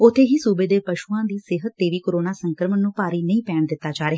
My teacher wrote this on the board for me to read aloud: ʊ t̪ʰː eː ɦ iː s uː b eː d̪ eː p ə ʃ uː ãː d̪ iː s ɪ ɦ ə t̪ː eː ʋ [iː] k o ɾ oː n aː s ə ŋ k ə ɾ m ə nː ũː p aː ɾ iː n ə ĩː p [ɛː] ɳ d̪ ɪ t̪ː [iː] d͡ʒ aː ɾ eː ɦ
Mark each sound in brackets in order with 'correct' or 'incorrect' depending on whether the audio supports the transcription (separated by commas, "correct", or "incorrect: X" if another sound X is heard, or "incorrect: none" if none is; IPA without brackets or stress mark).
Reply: correct, correct, incorrect: aː